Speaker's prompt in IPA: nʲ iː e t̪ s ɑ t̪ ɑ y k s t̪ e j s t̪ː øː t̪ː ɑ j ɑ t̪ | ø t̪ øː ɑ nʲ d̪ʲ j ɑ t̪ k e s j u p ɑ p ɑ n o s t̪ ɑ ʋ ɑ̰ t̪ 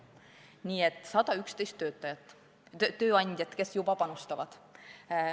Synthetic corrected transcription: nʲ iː e t̪ s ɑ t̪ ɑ y k s t̪ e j s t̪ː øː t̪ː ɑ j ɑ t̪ | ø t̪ øː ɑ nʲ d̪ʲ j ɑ t̪ k e s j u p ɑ p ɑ n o s t̪ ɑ ʋ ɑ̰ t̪

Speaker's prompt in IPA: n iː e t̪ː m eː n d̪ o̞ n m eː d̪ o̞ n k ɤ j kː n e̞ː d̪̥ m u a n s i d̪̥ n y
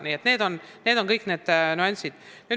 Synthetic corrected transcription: n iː e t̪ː n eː d̪ o̞ n n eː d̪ o̞ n k ɤ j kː n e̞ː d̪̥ n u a n s i d̪̥ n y

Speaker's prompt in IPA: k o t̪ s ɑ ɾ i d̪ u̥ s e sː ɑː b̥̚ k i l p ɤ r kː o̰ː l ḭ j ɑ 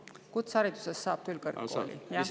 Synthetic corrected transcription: k u t̪ s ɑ ɾ i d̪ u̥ s e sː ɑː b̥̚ k y l k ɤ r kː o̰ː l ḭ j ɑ

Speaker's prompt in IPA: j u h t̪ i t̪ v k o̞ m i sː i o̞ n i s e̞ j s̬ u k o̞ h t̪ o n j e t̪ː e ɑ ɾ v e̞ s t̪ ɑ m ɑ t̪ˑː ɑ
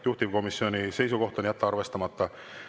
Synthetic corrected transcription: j u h t̪ i v k o̞ m i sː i o̞ n i s e̞ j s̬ u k o̞ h t̪ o n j æ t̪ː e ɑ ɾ v e̞ s t̪ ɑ m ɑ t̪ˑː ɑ

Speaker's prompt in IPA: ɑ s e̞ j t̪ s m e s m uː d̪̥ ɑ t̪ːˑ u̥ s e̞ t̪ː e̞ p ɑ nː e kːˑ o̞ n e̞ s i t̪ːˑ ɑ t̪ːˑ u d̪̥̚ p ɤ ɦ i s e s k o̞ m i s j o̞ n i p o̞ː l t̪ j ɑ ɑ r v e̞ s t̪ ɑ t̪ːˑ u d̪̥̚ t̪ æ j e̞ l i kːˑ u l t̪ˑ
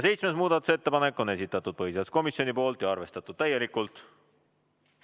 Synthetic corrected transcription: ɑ s e̞ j t̪ s m e s m uː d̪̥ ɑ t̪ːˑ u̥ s e̞ t̪ː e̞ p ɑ n e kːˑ o̞ n e̞ s i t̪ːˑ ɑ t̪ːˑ u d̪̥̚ p ɤ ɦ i s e s k o̞ m i s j o̞ n i p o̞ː l t̪ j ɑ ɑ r v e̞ s t̪ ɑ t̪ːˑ u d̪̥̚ t̪ æ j e̞ l i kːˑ u l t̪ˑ

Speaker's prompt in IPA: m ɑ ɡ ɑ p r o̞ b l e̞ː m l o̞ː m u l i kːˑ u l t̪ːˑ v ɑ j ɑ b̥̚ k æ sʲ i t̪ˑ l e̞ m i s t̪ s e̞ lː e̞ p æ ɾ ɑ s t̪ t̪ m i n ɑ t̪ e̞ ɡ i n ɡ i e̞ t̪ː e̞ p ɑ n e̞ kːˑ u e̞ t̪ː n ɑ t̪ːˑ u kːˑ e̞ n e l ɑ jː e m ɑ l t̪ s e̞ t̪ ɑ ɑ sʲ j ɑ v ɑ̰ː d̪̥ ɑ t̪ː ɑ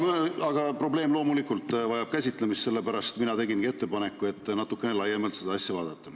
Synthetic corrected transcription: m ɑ ɡ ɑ p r o̞ b l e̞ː m l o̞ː m u l i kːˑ u l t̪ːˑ v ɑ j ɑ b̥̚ k æ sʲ i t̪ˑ l e̞ m i s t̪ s e̞ lː e̞ p æ ɾ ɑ s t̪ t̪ m i n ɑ t̪ e̞ ɡ i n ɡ i e̞ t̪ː e̞ p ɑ n e̞ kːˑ u e̞ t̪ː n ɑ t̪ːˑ u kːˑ e̞ n e l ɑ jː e m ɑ l t̪ s e̞ d̪ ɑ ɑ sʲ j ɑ v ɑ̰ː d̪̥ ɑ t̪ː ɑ

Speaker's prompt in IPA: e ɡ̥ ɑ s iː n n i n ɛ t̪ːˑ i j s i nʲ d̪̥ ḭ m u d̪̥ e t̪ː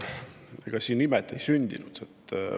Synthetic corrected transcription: e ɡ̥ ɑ s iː n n i m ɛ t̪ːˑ e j s y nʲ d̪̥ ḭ n u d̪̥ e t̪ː

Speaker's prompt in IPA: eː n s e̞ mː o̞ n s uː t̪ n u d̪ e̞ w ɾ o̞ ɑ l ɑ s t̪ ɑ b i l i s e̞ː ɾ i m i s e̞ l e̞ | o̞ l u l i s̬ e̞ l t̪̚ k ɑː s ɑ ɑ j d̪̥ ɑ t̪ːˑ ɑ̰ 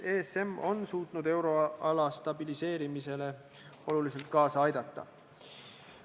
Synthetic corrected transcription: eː s e̞ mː o̞ n s uː t̪ n u d̪ e̞ w ɾ o̞ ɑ l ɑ s t̪ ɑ b i l i s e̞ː ɾ i m i s e̞ l e̞ | o̞ l u l i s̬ e̞ l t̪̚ k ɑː s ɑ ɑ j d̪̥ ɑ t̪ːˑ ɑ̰

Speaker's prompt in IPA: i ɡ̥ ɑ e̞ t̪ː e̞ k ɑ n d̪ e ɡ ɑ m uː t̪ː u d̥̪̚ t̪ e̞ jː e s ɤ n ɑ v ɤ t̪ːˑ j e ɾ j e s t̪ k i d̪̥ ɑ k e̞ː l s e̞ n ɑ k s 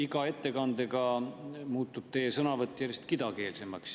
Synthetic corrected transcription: i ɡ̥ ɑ e̞ t̪ː e̞ k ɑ n d̪ e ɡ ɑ m uː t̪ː u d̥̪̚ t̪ e̞ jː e s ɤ n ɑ v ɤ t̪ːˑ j æ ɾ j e s t̪ k i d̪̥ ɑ k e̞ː l s e̞ m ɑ k s

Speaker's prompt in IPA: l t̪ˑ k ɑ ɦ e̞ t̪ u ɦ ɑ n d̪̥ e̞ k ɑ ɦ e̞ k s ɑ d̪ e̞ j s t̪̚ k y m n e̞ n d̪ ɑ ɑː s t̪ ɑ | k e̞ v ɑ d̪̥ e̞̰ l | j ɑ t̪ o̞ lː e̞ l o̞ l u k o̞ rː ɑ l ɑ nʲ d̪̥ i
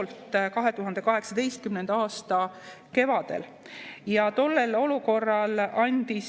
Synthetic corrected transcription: l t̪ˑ k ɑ ɦ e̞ t̪ u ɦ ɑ n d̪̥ e̞ k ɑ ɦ e̞ k s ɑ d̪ e̞ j s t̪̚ k y m n e̞ n d̪ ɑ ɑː s t̪ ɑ | k e̞ v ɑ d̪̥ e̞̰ l | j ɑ t̪ o̞ lː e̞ l o̞ l u k o̞ rː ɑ l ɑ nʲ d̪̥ i

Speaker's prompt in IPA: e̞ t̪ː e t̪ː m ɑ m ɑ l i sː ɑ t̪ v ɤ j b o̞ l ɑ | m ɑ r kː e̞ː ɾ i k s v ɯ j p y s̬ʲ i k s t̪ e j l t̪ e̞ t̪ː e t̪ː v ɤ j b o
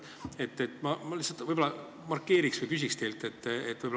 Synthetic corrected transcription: e̞ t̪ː e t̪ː m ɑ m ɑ l i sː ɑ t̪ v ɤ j b o̞ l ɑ | m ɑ r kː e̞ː ɾ i k s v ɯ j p y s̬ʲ i k s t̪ e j l t̪ e̞ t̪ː e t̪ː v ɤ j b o

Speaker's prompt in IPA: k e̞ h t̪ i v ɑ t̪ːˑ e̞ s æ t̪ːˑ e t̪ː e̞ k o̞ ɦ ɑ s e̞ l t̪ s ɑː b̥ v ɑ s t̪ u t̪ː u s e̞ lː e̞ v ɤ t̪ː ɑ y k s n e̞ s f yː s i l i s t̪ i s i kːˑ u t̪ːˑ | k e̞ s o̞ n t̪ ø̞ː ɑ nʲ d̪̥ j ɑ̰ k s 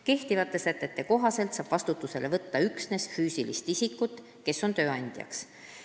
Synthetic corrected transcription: k e̞ h t̪ i v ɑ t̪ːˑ e̞ s æ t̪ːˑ e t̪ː e̞ k o̞ ɦ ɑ s e̞ l t̪ s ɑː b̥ v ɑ s t̪ u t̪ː u s e̞ l e̞ v ɤ t̪ː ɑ y k s n e̞ s f yː s i l i s t̪ i s i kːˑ u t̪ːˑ | k e̞ s o̞ n t̪ ø̞ː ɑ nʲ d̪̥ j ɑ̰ k s

